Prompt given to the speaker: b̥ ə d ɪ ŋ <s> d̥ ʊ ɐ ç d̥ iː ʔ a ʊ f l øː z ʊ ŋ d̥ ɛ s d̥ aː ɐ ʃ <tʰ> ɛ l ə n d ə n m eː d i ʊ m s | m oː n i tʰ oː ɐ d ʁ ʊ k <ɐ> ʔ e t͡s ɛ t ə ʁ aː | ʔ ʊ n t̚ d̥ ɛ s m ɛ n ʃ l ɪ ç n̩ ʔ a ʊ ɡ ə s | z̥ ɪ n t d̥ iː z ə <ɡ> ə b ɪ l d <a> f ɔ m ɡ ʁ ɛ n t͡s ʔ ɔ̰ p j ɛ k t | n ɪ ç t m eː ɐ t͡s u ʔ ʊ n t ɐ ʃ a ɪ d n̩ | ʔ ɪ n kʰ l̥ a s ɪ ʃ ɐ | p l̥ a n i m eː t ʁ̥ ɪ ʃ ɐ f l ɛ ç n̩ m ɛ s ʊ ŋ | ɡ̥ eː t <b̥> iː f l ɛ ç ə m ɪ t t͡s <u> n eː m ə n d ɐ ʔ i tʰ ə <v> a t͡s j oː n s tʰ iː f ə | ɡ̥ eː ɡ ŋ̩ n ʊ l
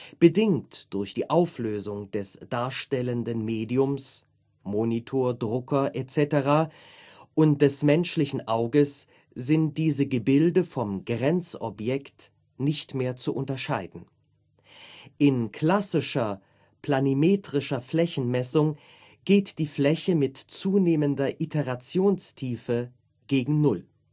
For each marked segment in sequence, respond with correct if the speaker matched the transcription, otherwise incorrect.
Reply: incorrect: t, incorrect: t, correct, correct, incorrect: ə, incorrect: d̥, incorrect: uː, incorrect: ʁ

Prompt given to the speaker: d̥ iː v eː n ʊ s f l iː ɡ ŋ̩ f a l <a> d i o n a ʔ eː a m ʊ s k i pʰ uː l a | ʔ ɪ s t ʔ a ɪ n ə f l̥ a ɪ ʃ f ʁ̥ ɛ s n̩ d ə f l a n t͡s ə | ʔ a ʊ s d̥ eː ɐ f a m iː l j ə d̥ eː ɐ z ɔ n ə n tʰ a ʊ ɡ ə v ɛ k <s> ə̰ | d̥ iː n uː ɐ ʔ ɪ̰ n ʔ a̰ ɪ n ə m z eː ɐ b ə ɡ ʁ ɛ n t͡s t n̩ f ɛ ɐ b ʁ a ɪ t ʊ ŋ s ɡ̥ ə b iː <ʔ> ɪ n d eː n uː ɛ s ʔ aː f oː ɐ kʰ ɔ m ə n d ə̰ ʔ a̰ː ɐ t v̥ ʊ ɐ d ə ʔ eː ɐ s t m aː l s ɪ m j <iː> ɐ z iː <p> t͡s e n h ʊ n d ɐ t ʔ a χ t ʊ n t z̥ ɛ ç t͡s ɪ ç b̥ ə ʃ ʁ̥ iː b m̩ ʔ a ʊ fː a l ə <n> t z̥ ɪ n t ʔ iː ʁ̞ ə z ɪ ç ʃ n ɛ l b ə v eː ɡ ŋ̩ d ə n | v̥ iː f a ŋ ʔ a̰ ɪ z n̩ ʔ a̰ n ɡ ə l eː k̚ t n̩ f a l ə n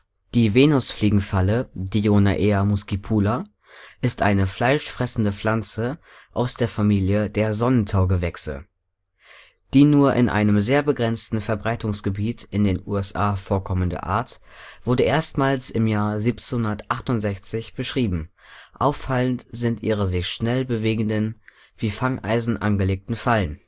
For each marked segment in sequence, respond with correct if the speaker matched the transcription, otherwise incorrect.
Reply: incorrect: ə, correct, incorrect: t, incorrect: aː, correct, correct

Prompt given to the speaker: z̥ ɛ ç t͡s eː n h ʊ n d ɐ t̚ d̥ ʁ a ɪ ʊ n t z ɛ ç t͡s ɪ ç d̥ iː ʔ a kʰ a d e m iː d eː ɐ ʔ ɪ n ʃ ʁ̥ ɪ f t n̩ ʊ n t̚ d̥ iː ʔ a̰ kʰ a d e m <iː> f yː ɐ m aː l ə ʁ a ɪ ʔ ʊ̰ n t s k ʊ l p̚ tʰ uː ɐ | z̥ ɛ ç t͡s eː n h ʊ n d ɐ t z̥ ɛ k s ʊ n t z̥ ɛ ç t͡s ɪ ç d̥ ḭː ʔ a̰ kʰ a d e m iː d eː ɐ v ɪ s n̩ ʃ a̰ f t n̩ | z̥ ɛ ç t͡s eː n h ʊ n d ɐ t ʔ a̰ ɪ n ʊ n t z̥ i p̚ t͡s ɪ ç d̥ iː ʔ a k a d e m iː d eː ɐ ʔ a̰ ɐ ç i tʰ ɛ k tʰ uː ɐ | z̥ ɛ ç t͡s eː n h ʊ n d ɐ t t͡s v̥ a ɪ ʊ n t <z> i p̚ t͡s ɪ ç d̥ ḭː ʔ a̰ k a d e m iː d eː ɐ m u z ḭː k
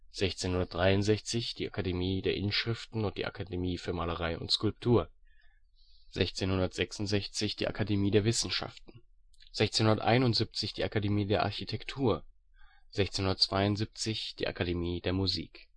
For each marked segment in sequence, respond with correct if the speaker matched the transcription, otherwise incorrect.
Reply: correct, correct

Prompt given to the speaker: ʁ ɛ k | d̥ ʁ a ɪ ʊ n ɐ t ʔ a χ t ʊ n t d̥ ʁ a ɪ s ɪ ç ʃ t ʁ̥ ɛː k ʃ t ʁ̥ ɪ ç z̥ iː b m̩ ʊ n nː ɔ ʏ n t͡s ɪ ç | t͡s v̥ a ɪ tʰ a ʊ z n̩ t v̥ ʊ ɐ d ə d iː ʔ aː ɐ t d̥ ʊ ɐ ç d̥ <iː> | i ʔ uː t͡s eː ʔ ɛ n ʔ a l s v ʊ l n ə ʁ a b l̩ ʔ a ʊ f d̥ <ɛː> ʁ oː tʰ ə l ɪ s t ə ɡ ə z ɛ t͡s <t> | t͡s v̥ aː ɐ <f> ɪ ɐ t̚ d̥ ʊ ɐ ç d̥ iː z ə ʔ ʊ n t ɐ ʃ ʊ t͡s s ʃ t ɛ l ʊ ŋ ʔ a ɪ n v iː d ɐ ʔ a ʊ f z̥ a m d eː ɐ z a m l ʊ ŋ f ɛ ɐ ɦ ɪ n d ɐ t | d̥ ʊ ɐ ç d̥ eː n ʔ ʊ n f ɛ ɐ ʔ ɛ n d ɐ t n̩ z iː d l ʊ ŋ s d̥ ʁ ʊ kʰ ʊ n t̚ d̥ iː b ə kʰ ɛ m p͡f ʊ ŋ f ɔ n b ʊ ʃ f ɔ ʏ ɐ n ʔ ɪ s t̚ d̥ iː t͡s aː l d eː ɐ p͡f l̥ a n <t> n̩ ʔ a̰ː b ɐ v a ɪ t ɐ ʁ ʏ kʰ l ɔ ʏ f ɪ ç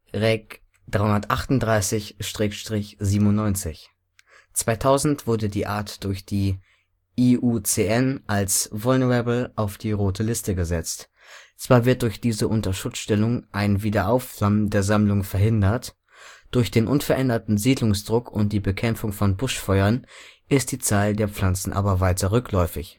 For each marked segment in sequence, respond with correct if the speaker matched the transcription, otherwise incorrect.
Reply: correct, incorrect: iː, correct, incorrect: v, incorrect: t͡s

